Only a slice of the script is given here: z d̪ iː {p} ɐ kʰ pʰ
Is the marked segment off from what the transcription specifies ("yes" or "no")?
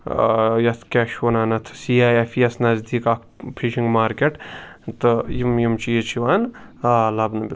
yes